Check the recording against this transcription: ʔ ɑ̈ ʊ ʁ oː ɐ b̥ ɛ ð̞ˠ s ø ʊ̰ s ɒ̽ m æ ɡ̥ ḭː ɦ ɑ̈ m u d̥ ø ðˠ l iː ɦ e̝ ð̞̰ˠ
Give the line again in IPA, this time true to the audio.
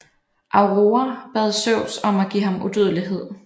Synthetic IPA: ʔ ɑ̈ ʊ ʁ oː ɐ b̥ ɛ ð̞ˠ s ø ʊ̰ s ɒ̽ m æ ɡ̥ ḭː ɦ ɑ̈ m u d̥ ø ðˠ l i ɦ e̝ ð̞̰ˠ

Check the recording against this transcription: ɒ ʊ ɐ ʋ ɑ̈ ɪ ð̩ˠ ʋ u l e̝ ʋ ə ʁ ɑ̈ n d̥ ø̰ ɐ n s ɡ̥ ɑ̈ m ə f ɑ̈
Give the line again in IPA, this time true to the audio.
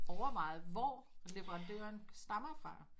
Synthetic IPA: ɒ ʊ ɐ ʋ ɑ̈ ɪ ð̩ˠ ʋ ɒ l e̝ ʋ ə ʁ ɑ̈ n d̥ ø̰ ɐ n s d̥ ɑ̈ m ɐ f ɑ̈

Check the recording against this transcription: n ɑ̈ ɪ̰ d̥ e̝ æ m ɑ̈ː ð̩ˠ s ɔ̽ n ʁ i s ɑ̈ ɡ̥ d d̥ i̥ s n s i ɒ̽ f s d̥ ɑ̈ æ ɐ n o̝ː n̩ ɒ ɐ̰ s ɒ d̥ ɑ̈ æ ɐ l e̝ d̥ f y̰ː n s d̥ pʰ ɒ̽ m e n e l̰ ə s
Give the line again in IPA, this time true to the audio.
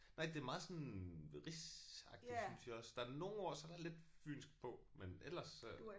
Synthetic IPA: n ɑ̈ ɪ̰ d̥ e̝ æ m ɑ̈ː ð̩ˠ s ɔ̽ n ʁ i s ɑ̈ ɡ̥ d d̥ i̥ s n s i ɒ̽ s d̥ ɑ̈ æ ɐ n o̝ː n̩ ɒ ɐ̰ s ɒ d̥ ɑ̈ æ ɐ l e̝ d̥ f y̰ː n s ɡ̥ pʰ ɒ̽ m e n e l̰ ɐ s

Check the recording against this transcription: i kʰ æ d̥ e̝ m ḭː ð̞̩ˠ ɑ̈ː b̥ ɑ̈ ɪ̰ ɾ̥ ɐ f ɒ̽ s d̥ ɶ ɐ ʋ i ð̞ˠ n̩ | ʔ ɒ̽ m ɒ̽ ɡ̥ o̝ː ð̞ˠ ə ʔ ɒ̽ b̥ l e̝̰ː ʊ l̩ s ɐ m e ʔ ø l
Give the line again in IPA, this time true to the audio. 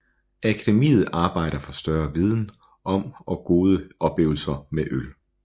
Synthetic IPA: æ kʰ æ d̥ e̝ m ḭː ð̞̩ˠ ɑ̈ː b̥ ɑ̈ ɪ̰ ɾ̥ ɐ f ɒ̽ s d̥ ɶ ɐ ʋ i ð̞ˠ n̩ | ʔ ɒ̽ m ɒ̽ ɡ̥ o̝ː ð̞ˠ ə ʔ ɒ̽ b̥ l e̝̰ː ʊ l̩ s ɐ m e ʔ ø l

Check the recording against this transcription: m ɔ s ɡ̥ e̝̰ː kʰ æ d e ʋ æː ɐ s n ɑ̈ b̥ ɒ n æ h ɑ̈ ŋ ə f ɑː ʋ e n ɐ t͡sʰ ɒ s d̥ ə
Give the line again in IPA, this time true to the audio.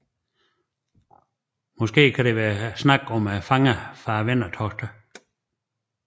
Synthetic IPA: m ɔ s ɡ̥ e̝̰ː kʰ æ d e ʋ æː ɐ s n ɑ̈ ɡ̥ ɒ m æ f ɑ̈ ŋ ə f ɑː ʋ e n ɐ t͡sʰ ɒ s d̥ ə

